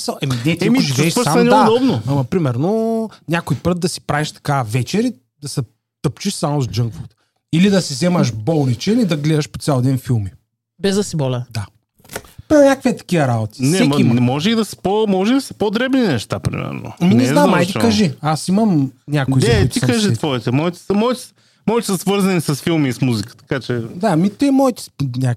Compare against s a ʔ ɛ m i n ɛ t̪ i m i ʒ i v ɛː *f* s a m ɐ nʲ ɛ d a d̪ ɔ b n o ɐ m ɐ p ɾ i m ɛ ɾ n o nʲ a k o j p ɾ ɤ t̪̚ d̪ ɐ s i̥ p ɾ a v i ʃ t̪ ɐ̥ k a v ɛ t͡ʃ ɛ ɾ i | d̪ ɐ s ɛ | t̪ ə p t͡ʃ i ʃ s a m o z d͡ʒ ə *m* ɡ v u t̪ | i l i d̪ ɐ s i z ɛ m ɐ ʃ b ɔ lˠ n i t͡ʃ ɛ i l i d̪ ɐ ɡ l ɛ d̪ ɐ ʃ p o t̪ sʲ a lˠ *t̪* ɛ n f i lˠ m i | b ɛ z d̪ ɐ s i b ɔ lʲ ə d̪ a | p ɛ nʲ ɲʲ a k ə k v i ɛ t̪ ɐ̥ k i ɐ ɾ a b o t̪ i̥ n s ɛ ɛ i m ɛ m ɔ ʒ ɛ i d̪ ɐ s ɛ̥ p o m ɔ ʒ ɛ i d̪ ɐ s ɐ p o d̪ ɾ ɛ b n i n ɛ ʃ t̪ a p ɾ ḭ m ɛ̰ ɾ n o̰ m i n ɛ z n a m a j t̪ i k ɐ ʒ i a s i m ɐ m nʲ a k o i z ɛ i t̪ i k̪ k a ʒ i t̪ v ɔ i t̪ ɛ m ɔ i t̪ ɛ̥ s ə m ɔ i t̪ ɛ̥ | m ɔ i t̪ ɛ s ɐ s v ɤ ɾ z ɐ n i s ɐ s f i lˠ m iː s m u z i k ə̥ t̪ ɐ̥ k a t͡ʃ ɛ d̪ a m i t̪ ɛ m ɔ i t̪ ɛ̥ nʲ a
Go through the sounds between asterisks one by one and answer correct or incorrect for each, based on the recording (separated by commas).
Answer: incorrect, incorrect, incorrect